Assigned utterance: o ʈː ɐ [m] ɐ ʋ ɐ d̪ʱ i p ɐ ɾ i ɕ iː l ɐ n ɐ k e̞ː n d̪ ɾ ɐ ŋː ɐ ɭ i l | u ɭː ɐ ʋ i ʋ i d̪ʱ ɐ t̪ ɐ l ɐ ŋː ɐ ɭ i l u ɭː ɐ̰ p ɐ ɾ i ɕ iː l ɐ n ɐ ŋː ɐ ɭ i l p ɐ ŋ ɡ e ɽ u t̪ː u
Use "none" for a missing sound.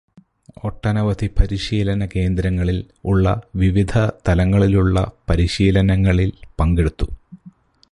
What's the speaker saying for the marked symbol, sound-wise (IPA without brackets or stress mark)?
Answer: n